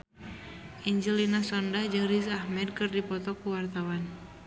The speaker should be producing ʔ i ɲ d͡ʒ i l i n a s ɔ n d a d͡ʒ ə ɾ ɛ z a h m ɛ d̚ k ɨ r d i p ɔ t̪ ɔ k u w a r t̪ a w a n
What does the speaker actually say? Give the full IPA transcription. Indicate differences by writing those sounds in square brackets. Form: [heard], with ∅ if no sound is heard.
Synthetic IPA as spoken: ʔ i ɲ d͡ʒ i l i n a s ɔ n d a d͡ʒ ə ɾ [i] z a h m ɛ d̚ k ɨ r d i p ɔ t̪ ɔ k u w a r t̪ a w a n